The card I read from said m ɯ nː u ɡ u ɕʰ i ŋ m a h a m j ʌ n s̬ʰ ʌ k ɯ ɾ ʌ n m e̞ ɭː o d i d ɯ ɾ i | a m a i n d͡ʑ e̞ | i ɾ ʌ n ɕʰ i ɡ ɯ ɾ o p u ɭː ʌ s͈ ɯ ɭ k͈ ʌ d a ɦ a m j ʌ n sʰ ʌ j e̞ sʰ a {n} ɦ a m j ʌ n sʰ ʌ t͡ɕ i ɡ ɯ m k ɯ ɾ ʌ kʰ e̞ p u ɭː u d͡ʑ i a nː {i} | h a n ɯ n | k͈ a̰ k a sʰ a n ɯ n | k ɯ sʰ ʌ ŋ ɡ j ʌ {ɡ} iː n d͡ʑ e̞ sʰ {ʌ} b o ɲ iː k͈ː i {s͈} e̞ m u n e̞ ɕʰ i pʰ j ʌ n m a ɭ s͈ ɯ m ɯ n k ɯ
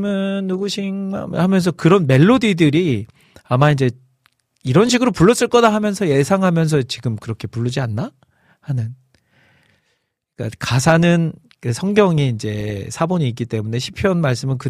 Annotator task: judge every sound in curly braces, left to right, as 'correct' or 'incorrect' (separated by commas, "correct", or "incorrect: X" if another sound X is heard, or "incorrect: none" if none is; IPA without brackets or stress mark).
incorrect: ŋ, incorrect: a, incorrect: ŋ, incorrect: a, incorrect: t͈